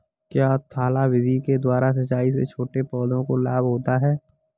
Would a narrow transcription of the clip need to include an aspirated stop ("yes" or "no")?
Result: yes